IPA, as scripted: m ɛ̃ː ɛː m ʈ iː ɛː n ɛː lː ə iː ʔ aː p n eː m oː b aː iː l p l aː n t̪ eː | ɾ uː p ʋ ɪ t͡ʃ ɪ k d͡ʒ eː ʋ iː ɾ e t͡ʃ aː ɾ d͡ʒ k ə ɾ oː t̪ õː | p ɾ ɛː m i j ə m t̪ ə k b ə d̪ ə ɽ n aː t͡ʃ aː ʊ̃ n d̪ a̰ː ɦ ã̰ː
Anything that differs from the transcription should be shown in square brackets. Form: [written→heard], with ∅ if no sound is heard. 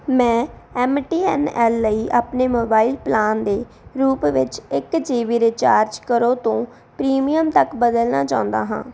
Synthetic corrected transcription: m ɛ̃ː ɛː m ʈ iː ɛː n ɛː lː ə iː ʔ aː p n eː m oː b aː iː l p l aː n [t̪→d̪] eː | ɾ uː p ʋ ɪ t͡ʃ ɪ k d͡ʒ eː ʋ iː ɾ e t͡ʃ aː ɾ d͡ʒ k ə ɾ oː t̪ õː | p ɾ [ɛː→iː] m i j ə m t̪ ə k b ə d̪ ə [ɽ→l] n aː t͡ʃ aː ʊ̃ n d̪ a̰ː ɦ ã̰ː